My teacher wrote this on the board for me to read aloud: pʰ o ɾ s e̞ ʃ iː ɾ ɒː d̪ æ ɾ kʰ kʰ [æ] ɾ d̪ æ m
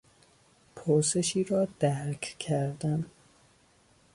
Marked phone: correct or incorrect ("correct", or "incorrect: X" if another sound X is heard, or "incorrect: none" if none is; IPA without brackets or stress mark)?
correct